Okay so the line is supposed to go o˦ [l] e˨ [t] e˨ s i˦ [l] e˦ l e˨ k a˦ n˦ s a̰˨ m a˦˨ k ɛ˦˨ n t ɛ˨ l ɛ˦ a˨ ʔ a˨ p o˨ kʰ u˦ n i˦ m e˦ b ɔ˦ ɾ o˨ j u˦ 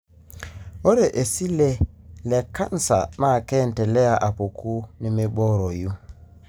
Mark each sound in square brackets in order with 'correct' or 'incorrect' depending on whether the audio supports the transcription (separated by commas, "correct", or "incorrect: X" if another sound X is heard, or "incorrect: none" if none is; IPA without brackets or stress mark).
incorrect: ɾ, incorrect: ʔ, correct